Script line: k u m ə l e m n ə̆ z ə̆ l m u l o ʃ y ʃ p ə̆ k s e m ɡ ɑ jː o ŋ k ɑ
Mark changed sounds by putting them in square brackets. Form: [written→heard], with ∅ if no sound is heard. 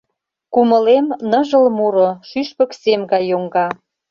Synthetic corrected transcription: k u m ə l e m n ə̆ [z→ʒ] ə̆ l m u [l→ɾ] o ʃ y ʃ p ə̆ k s e m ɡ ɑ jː o ŋ [k→ɡ] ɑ